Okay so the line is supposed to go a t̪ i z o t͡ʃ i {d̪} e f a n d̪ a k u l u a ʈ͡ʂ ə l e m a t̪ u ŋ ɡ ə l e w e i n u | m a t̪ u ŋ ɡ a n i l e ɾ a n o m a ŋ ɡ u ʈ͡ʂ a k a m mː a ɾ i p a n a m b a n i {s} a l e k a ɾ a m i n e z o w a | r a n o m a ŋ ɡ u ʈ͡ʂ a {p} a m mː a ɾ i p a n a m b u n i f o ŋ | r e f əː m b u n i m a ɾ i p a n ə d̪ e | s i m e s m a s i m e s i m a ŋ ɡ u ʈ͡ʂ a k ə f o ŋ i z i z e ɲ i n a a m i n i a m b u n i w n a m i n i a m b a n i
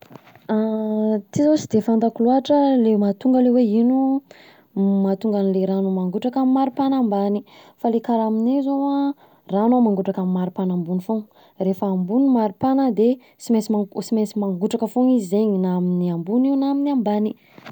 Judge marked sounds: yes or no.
yes, no, no

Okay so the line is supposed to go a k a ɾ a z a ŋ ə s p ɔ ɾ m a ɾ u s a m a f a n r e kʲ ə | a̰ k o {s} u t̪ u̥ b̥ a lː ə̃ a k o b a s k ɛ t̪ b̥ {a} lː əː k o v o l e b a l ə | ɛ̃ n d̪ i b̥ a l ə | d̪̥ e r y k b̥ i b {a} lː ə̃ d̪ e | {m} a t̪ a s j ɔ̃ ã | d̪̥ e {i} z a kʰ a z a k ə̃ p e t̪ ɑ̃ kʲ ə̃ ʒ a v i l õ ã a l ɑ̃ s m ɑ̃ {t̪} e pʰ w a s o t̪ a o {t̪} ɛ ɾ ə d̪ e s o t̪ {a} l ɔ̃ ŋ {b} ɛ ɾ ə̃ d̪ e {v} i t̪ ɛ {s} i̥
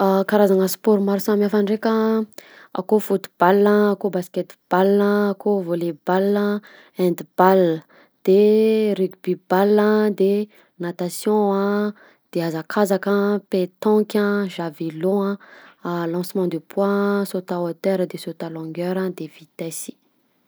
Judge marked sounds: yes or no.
no, yes, yes, no, no, no, yes, yes, no, yes, yes

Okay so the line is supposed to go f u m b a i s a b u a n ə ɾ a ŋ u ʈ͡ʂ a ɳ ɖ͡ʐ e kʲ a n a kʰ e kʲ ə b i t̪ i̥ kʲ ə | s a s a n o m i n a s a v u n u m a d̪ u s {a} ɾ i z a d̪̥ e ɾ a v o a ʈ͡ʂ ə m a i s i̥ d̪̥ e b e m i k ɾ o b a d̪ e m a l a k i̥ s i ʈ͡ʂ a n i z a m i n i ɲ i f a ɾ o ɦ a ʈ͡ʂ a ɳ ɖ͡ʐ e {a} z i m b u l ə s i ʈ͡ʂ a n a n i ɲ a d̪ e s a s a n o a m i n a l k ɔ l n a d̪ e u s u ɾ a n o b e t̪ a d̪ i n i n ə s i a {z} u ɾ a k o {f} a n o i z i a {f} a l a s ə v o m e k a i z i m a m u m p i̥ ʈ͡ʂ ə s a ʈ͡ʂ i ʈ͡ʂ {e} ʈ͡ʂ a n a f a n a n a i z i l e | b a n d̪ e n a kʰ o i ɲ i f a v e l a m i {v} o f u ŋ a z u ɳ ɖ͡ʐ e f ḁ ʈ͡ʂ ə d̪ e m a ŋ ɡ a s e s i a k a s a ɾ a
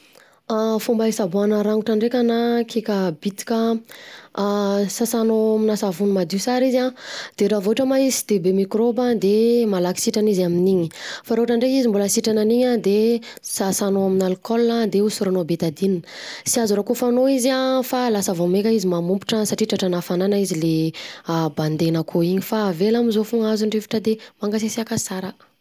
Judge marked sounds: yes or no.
yes, no, yes, yes, yes, no, no

